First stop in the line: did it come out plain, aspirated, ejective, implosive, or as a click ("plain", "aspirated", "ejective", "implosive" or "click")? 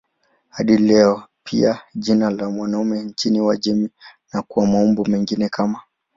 implosive